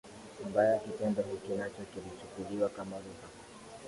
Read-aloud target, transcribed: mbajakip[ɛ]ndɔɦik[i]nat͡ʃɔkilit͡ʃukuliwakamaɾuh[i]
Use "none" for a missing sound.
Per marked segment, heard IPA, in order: ɛ, i, a

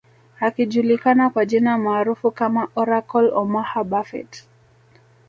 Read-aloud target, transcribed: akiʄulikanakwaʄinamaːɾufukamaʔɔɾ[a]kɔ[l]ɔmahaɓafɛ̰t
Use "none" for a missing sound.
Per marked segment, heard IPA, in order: a, l

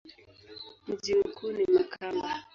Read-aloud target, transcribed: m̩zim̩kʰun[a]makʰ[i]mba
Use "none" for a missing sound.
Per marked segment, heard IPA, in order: i, a

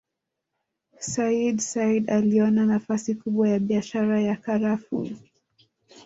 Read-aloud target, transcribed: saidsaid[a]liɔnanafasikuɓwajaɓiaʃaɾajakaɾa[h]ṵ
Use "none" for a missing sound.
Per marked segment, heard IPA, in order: a, f

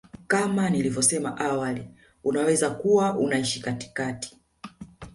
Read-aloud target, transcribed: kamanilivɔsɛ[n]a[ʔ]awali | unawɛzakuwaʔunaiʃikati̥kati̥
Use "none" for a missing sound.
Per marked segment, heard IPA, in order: m, ʔ

